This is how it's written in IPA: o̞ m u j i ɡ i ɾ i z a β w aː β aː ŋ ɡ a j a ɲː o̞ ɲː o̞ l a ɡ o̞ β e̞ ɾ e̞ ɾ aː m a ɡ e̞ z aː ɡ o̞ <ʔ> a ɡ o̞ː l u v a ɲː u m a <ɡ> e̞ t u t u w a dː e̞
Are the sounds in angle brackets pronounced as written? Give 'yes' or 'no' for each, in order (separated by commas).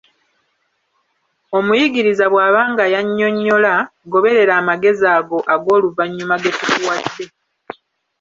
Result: yes, yes